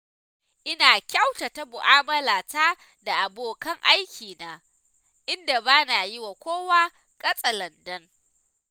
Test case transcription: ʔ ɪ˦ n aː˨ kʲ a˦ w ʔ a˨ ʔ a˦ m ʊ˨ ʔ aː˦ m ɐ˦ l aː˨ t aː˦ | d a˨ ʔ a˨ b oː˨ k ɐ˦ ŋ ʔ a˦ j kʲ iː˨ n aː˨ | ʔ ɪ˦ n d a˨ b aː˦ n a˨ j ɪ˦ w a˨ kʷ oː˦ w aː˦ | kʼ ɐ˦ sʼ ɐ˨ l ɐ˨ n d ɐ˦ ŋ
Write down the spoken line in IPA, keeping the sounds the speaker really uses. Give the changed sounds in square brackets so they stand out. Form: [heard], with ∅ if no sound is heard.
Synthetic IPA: ʔ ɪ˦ n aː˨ kʲ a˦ w [t] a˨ [t] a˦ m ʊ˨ ʔ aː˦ m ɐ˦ l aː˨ t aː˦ | d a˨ ʔ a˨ b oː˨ k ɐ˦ ŋ ʔ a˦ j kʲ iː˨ n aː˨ | ʔ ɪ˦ n d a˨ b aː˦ n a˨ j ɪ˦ w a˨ kʷ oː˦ w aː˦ | kʼ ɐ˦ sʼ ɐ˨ l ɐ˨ n d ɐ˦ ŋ